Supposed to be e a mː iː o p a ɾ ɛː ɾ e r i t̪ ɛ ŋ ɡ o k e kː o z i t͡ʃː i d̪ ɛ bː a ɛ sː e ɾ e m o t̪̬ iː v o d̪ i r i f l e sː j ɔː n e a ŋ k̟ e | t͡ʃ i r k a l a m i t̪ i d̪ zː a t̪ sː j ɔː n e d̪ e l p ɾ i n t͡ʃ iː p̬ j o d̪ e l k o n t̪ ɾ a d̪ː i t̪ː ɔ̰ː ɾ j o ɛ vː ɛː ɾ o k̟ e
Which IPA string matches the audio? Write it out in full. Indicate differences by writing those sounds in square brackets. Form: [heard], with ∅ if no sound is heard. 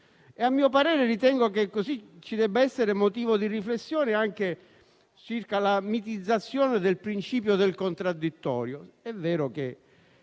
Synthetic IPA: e a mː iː o p a ɾ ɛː ɾ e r i t̪ ɛ ŋ ɡ o k e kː o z i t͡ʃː i d̪ ɛ bː a ɛ sː e ɾ e m o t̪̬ iː v o d̪ i r i f l e sː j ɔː n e a ŋ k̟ e | t͡ʃ i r k a l a m i t̪ i d̪ zː a t̪ sː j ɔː n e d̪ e l p ɾ i n t͡ʃ iː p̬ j o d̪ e l k o n t̪ ɾ a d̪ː i t̪ː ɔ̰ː ɾ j o ɛ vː ɛː ɾ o k̟ e

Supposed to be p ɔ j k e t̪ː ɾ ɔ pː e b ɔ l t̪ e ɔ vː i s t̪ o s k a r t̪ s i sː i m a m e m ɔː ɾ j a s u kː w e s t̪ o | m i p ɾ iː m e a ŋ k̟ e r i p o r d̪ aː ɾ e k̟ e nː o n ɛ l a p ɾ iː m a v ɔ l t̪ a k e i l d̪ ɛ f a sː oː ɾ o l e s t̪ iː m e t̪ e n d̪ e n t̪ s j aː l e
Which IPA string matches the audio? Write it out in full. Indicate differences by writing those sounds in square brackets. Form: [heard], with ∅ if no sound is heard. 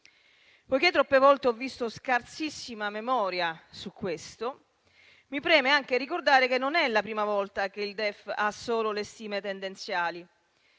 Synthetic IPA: p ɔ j k e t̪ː ɾ ɔ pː e [v] ɔ l t̪ e ɔ vː i s t̪ o s k a r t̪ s i sː i m a m e m ɔː ɾ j a s u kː w e s t̪ o | m i p ɾ [ɛː] m e a ŋ k̟ e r i [k] o r d̪ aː ɾ e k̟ e nː o n ɛ l a p ɾ iː m a v ɔ l t̪ a k e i l d̪ ɛ f a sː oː [l] o l e s t̪ iː m e t̪ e n d̪ e n t̪ s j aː l [i]

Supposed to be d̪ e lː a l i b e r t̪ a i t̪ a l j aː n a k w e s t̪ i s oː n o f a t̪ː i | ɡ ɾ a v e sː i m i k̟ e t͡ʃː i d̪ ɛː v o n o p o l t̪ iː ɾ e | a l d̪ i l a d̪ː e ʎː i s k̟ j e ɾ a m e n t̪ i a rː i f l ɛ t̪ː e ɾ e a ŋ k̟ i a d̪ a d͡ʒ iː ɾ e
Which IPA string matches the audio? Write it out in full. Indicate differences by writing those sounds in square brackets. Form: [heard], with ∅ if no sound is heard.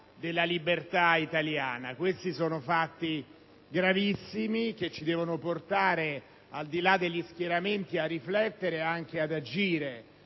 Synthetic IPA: d̪ e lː a l i b e r t̪ a i t̪ a l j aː n a k w e s t̪ i s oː n o f a t̪ː i | ɡ ɾ a v [i] sː i m i k̟ e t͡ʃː i d̪ ɛː v o n o p o [r] t̪ [aː] ɾ e | a l d̪ i l a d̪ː e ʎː i s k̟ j e ɾ a m e n t̪ i a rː i f l ɛ t̪ː e ɾ e a ŋ k̟ [e] a d̪ a d͡ʒ iː ɾ e

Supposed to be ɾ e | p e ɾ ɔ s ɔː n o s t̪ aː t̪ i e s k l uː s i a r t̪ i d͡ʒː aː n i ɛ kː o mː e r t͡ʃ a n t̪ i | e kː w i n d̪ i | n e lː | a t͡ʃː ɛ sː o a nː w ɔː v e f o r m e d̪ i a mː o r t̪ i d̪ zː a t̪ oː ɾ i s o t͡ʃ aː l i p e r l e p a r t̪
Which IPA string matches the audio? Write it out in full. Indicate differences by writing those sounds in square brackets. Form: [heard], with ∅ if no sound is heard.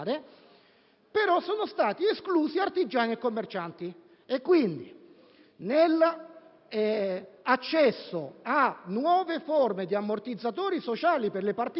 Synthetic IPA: ɾ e | p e ɾ ɔ s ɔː n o s t̪ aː t̪ i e s k l uː s i a r t̪ i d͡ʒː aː n i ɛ kː o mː e r t͡ʃ a n t̪ i | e kː w i n d̪ i | n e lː | a t͡ʃː ɛ sː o a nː w ɔː v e f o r m e d̪ i a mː o r t̪ i d̪ zː a t̪ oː ɾ i s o t͡ʃ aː l i p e r l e p a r t̪

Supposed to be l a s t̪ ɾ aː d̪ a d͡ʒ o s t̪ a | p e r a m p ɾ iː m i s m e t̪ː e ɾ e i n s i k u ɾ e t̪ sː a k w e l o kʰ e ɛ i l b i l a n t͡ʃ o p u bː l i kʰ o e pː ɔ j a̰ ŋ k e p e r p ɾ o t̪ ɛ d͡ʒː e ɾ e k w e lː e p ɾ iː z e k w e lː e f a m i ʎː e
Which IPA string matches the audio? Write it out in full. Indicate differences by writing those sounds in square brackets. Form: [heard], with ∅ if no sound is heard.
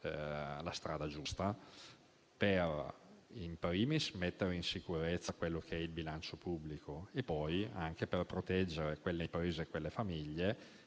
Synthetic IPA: l a s t̪ ɾ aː d̪ a d͡ʒ [u] s t̪ a | p e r [i] m p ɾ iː m i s m e t̪ː e ɾ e i n s i k u ɾ e t̪ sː a k w e [lː] o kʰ e ɛ i l b i l a n t͡ʃ o p u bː l i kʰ o e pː ɔ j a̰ ŋ k e p e r p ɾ o t̪ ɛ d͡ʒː e ɾ e k w e lː e p ɾ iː z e k w e lː e f a m i ʎː e

